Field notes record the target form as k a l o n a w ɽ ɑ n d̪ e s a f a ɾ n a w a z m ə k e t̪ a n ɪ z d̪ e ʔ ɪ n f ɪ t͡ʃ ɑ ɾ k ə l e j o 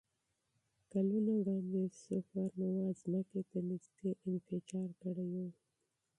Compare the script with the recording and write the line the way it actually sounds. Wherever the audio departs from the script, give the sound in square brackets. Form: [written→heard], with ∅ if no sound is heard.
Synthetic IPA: k a l [o→u] n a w ɽ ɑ n d̪ e s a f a ɾ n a w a z m ə k e t̪ a n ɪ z d̪ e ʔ ɪ n f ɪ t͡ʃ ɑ ɾ k ə [l→ɽ] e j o